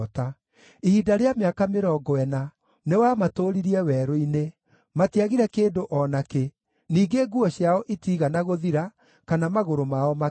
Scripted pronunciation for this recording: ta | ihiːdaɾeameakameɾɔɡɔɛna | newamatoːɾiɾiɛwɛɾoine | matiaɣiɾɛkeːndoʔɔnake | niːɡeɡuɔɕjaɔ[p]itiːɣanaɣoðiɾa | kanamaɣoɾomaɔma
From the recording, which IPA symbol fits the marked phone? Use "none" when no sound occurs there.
ʔ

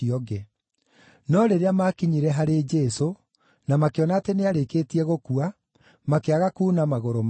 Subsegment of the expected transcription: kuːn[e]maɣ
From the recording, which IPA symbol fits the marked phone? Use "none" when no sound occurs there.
a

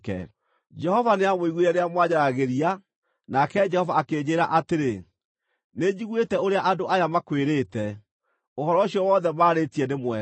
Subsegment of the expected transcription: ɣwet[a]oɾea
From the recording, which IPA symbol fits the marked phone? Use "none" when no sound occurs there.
ɛ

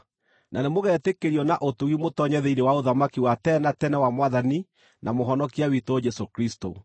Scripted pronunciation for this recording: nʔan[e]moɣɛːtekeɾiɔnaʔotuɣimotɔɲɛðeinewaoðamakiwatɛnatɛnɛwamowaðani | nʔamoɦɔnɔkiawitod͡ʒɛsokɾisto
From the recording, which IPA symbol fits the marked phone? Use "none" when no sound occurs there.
e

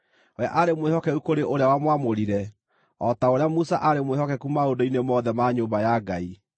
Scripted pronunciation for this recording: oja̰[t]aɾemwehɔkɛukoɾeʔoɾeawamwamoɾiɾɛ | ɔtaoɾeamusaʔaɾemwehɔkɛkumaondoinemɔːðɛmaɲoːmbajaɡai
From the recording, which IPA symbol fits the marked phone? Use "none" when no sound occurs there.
ʔ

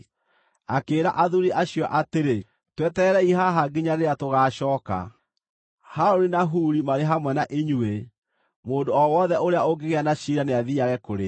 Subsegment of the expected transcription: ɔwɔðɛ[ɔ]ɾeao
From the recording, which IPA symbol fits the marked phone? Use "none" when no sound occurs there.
o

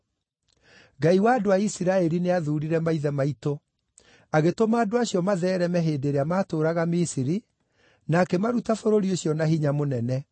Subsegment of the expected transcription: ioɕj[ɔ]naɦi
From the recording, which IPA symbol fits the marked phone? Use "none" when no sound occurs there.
ɔ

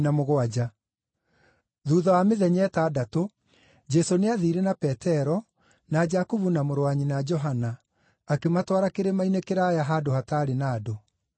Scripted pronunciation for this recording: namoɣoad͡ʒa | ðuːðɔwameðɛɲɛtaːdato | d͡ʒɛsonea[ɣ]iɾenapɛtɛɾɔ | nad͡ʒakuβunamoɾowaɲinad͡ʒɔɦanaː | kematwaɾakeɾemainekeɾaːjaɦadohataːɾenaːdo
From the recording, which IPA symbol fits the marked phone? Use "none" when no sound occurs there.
ð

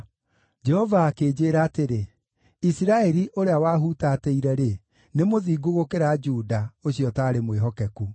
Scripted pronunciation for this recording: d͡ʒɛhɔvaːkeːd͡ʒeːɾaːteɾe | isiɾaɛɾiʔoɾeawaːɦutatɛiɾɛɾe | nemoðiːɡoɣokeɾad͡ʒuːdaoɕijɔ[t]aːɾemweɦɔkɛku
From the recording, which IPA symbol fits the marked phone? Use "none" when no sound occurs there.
t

